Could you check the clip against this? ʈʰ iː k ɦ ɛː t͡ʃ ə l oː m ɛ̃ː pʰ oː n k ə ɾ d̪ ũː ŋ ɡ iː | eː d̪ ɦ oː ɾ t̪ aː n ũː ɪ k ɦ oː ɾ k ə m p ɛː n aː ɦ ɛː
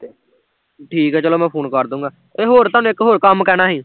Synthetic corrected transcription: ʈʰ iː k ɦ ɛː t͡ʃ ə l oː m ɛ̃ː pʰ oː n k ə ɾ d̪ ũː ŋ ɡ aː | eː ɦ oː ɾ t̪ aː n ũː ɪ k ɦ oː ɾ k ə m k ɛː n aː ɦ iː

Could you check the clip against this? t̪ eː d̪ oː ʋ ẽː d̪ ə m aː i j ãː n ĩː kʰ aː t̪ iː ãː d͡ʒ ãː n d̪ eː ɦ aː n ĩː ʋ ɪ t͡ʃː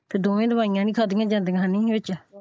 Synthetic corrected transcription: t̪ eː d̪ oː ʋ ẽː d̪ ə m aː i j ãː n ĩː kʰ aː d̪ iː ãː d͡ʒ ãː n d̪ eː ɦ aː n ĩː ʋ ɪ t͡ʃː

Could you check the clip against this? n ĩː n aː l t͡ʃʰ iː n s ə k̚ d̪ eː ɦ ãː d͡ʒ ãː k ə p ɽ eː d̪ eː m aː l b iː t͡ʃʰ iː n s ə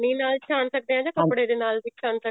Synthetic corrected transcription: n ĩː n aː l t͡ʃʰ aː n s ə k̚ d̪ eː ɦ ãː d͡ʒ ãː k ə p ɽ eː d̪ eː n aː l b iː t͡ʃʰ aː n s ə

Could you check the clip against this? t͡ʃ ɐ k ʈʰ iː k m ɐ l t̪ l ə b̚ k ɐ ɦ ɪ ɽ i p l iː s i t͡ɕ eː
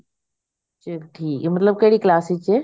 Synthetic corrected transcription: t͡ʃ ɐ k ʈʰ iː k m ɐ t̪ l ə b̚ k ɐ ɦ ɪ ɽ i k l aː s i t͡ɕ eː

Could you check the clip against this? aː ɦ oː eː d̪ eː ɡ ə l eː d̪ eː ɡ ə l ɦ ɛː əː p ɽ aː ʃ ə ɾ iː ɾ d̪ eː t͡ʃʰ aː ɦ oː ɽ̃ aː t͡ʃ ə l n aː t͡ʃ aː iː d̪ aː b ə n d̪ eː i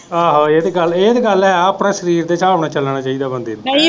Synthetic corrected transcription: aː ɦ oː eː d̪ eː ɡ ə l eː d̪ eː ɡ ə l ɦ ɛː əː p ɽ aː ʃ ə ɾ iː ɾ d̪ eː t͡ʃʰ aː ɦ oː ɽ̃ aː t͡ʃ ə l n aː t͡ʃ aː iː d̪ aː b ə n d̪ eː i

